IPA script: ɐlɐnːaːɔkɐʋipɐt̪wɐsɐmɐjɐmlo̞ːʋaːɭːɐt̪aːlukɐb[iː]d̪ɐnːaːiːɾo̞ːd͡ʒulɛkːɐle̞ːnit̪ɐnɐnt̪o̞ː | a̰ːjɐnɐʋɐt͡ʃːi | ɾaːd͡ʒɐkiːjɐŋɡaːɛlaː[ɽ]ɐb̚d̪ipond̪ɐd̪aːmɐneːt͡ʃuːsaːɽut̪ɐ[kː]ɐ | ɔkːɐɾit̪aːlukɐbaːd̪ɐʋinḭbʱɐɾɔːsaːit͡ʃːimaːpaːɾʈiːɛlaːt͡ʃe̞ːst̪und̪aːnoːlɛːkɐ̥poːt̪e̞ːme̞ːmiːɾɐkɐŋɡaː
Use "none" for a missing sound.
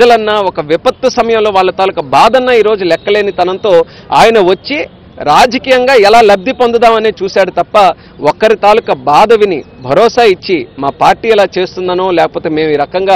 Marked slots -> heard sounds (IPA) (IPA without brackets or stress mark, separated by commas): aː, l, pː